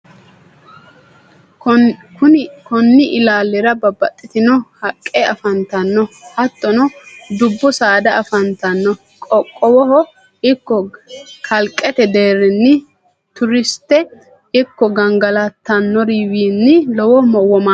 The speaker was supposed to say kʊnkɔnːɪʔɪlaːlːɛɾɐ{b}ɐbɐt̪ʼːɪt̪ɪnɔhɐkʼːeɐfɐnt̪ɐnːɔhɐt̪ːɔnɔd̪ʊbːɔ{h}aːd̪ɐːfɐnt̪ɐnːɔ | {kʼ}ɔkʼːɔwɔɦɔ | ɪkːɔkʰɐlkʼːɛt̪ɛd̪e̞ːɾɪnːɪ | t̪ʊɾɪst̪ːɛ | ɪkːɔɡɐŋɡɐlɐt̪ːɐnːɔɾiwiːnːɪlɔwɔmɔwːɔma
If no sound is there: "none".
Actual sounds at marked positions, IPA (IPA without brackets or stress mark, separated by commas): b, s, kʼ